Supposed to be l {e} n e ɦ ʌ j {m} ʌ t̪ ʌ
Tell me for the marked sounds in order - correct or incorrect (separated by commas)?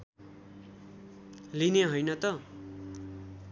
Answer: incorrect, incorrect